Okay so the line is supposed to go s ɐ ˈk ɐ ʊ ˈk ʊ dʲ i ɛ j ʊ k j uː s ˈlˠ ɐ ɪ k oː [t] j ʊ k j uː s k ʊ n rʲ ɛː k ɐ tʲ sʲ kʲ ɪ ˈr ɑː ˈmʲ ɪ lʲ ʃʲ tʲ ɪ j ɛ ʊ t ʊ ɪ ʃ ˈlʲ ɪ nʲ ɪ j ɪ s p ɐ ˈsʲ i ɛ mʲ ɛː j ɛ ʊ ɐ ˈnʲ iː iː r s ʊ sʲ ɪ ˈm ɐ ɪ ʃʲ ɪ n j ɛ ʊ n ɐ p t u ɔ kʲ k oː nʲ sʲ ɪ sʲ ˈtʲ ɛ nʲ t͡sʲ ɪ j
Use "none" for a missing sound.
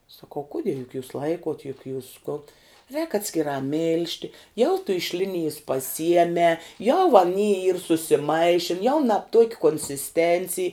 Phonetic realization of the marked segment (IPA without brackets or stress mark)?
t